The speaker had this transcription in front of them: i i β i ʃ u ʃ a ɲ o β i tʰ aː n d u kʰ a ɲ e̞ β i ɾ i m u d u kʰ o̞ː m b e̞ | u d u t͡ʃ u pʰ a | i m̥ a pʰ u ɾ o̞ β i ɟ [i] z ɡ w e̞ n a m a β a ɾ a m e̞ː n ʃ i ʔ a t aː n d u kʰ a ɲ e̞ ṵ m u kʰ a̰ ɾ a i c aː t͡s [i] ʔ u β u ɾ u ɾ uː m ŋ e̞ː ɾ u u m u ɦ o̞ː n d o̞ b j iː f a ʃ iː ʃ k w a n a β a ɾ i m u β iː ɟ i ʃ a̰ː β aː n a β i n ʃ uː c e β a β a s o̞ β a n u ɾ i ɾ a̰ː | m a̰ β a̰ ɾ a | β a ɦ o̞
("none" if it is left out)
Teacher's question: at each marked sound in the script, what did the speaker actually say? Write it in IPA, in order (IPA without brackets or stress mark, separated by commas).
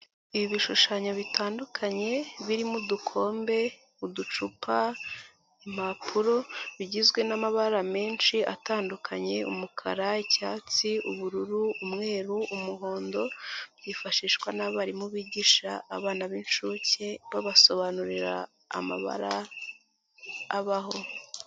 i, i